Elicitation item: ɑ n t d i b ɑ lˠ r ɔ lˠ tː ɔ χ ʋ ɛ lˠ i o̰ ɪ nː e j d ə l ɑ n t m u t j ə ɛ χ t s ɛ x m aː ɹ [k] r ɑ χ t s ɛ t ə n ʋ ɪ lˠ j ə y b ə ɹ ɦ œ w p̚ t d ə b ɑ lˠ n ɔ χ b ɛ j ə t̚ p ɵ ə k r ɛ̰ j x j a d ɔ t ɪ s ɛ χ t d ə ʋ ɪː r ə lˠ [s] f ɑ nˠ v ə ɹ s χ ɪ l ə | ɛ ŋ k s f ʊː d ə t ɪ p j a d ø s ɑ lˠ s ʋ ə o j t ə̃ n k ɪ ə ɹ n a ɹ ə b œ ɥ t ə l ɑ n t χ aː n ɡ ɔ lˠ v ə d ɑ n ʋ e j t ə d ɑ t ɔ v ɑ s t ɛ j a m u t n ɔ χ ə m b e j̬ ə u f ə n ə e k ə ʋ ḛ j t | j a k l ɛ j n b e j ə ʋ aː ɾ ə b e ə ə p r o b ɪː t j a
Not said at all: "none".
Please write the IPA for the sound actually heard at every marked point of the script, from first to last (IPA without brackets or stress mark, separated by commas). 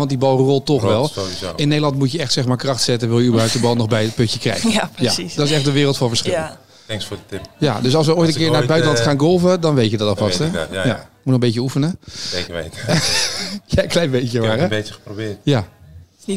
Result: k, t